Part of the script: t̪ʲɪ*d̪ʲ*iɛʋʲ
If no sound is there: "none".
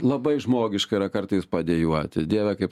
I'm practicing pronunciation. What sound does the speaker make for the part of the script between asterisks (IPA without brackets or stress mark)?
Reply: d̪ʲ